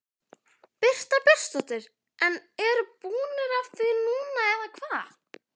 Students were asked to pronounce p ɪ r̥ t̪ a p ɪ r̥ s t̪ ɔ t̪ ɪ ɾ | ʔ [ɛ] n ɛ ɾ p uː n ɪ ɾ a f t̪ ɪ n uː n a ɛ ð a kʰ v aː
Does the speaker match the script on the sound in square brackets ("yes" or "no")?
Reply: yes